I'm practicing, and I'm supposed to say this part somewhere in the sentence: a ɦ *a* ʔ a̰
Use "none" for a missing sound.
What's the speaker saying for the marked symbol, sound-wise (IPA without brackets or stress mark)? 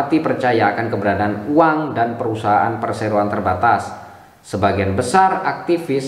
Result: a